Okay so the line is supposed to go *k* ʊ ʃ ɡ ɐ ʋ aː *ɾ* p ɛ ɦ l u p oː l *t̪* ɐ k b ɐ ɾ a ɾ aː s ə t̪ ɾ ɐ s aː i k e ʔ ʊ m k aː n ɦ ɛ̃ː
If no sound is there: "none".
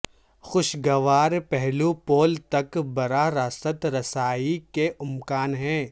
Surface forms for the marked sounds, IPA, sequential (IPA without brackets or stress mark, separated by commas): x, ɾ, t̪